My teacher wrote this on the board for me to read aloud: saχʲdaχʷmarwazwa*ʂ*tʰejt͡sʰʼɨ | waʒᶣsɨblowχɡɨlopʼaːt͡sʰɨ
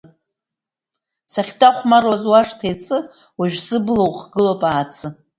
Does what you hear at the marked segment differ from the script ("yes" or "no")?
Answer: no